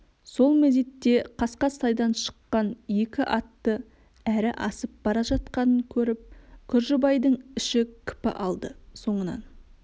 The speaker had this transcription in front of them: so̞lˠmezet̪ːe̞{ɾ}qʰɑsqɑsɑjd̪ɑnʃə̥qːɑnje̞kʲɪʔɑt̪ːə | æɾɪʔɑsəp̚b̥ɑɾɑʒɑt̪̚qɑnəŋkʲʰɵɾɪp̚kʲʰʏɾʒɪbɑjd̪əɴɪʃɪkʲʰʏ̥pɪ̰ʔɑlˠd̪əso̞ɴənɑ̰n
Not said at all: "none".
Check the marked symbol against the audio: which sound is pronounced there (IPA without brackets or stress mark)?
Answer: none